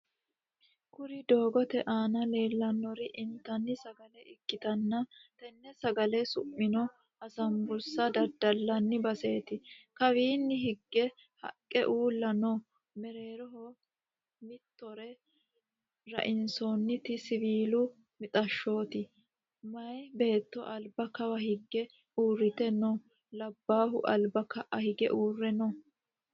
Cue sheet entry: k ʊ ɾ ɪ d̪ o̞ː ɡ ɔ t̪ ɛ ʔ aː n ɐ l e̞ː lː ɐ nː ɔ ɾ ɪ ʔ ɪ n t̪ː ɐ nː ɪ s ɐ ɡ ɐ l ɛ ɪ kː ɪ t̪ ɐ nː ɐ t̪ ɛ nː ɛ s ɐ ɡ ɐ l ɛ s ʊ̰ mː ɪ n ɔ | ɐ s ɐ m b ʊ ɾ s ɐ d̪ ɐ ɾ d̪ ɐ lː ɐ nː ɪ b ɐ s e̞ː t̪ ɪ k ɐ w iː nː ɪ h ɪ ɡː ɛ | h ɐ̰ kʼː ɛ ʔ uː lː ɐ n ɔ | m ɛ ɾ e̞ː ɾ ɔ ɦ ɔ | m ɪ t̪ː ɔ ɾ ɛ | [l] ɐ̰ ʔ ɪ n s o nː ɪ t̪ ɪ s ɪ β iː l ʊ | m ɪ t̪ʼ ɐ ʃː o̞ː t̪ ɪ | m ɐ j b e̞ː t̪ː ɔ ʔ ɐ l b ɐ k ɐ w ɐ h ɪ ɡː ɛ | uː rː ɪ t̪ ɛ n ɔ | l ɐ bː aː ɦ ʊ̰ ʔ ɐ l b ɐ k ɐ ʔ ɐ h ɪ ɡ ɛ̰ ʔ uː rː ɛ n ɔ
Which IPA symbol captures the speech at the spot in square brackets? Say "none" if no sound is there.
ɾ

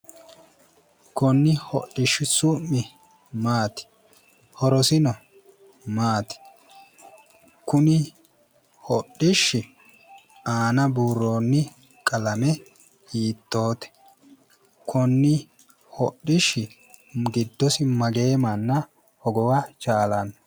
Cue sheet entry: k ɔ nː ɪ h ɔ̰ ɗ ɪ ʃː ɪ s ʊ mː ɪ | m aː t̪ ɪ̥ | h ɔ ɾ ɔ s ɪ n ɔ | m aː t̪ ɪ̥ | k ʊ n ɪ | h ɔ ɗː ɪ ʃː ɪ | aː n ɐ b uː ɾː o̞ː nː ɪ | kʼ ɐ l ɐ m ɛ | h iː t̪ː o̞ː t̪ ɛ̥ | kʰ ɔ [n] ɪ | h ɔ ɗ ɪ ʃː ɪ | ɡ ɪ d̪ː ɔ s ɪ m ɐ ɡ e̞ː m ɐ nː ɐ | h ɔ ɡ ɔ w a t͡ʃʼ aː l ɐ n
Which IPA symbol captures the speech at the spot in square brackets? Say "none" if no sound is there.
nː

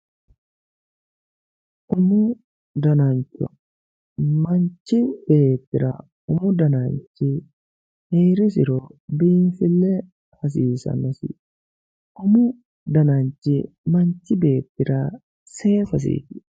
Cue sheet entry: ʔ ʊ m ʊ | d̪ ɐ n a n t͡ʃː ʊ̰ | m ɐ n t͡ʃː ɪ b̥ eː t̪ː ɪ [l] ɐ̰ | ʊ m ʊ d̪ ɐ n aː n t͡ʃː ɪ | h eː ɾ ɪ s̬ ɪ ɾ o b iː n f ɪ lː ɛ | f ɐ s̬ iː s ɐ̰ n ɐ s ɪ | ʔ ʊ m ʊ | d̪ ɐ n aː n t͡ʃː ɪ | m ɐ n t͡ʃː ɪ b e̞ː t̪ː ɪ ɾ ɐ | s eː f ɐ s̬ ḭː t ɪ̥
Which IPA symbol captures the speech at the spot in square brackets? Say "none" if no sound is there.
ɾ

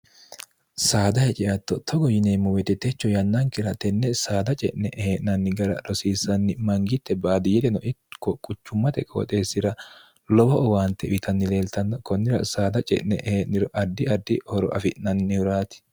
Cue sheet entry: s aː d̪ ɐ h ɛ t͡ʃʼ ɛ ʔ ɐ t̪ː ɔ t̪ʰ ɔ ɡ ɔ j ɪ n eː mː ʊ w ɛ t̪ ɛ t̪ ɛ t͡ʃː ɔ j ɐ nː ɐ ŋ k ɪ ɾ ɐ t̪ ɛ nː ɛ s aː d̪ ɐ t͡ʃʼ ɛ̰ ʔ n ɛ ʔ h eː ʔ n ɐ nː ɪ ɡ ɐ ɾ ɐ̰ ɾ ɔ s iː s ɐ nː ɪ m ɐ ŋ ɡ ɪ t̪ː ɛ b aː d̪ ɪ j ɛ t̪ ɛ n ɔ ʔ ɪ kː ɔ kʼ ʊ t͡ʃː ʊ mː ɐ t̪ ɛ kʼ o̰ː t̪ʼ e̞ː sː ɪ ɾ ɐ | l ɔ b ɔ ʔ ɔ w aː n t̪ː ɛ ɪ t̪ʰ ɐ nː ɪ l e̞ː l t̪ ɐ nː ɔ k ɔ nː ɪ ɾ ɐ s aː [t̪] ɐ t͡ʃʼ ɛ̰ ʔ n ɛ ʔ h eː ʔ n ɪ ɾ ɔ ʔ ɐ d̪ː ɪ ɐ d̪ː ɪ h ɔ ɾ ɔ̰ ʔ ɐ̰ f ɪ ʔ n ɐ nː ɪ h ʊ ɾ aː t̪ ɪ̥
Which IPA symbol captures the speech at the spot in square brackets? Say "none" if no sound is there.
d̪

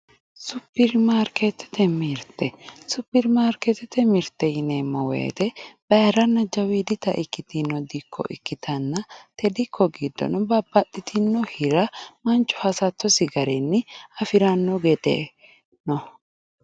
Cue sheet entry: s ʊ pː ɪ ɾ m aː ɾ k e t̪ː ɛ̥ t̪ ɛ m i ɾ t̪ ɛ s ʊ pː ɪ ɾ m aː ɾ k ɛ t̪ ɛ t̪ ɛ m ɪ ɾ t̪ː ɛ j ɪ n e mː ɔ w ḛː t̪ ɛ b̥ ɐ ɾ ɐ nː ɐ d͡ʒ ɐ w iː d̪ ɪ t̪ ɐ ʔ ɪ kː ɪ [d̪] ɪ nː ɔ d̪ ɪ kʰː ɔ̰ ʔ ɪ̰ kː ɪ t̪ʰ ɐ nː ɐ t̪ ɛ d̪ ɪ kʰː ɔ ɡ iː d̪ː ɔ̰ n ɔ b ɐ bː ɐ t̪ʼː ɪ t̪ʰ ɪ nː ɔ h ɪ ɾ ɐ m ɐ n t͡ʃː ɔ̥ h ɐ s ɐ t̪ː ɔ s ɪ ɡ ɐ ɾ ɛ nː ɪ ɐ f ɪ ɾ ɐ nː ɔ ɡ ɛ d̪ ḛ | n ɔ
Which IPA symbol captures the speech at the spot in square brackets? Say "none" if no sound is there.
t̪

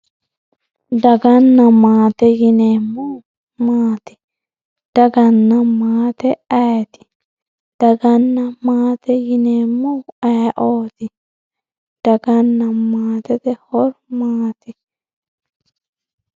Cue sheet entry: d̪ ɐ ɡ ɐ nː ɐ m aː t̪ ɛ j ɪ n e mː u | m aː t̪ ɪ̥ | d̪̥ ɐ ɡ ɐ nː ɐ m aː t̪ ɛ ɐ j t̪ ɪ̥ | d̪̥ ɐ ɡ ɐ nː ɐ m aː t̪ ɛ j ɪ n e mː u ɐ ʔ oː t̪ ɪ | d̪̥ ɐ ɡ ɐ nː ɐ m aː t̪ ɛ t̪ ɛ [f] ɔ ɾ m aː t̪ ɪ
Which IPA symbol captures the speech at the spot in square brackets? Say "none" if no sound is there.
h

